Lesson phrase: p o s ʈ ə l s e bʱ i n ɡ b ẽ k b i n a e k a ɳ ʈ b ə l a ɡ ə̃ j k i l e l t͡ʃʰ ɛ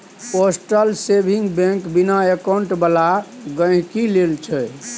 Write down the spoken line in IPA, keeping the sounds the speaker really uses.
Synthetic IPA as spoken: p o s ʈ ə l s e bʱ i ŋ ɡ b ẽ k b i n a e k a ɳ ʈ b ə l a ɡ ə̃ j k i l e l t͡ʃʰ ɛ